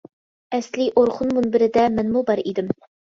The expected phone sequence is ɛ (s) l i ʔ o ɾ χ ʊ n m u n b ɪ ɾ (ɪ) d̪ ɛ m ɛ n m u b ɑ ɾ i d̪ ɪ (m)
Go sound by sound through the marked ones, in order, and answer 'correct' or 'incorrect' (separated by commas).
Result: correct, correct, correct